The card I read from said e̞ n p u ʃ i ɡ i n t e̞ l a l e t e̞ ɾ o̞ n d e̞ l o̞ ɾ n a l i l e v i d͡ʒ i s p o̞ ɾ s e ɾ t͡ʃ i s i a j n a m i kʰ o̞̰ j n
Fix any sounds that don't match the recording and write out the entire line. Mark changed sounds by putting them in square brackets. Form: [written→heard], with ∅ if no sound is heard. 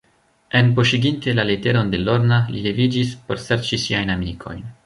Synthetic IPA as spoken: e̞ n p [u→o] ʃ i ɡ i n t e̞ l a l e t e̞ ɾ o̞ n d e̞ l o̞ ɾ n a l i l e v i d͡ʒ i s p o̞ ɾ s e ɾ t͡ʃ i s i a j n a m i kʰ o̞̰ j n